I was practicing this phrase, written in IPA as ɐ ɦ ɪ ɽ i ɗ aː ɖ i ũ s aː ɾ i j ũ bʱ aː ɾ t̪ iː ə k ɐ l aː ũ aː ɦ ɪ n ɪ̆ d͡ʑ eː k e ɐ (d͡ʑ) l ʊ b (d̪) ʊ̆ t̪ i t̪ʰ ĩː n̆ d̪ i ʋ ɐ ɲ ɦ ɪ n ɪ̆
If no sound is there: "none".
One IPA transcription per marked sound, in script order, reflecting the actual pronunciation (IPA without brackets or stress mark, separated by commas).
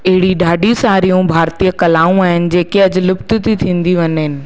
d͡ʑ, t̪